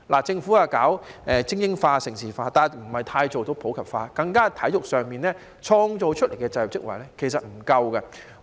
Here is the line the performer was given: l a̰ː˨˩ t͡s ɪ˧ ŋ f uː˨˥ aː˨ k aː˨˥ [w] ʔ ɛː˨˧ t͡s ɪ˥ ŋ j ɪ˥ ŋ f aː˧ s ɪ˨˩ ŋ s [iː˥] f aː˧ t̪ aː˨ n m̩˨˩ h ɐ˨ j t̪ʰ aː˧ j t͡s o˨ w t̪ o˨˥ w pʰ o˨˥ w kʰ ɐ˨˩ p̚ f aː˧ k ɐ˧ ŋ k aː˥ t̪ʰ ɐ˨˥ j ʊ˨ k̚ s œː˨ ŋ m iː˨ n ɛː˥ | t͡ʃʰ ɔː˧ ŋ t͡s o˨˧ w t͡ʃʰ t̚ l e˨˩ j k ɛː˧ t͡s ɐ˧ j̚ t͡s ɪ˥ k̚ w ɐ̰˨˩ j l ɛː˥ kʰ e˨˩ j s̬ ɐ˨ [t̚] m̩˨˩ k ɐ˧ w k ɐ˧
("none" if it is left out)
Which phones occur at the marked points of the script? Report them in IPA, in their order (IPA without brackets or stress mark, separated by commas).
w, iː˨˩, t̚